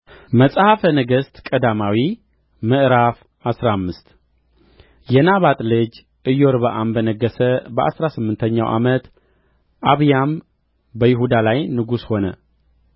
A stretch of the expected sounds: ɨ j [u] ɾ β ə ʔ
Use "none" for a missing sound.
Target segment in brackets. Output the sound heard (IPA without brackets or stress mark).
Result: o